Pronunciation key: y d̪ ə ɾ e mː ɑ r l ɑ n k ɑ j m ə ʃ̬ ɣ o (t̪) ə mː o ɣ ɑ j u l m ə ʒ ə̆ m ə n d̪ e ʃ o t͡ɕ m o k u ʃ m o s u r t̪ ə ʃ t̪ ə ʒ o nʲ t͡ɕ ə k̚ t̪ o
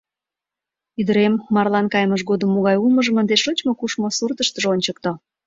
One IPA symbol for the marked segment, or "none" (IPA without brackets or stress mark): d̪